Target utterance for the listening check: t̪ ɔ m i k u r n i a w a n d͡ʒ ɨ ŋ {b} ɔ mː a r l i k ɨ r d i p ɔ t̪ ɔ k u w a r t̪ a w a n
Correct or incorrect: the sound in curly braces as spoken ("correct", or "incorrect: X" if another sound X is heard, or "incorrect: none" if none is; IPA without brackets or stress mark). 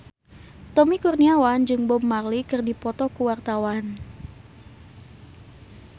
correct